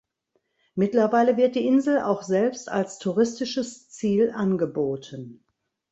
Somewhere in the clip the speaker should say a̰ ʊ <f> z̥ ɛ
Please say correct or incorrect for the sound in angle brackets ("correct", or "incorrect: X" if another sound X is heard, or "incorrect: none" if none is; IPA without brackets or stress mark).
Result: incorrect: x